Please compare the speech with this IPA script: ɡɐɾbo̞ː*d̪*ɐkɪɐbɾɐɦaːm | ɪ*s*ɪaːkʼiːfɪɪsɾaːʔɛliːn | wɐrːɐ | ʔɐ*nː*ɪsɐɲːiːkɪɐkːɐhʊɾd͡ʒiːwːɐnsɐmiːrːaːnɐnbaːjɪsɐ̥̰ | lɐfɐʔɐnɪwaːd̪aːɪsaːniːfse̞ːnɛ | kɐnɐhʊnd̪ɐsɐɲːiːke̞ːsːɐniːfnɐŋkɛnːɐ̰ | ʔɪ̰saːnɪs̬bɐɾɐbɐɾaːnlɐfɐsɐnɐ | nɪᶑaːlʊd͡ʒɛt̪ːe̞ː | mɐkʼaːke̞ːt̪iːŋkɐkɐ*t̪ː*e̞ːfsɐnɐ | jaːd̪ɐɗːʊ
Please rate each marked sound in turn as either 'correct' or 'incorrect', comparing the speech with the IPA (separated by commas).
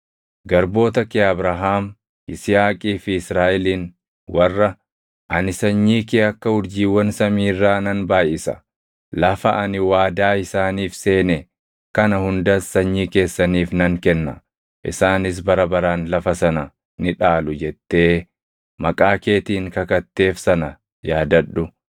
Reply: incorrect, correct, incorrect, correct